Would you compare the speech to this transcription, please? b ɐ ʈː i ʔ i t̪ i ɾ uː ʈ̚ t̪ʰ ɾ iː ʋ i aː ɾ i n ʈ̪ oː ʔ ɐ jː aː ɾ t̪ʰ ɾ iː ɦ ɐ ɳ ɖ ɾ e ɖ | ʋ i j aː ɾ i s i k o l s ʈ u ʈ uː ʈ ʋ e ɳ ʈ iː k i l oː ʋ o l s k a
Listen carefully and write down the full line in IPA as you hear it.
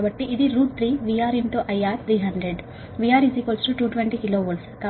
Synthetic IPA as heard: b ɐ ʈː i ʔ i d̪ i ɾ uː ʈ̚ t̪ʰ ɾ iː ʋ i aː ɾ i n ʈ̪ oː ʔ ɐ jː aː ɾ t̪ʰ ɾ iː ɦ ɐ ɳ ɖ ɾ e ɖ | ʋ i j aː ɾ i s i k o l s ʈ u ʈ uː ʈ ʋ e ɳ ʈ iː k i l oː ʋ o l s k a